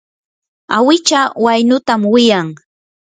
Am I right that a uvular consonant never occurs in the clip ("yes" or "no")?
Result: yes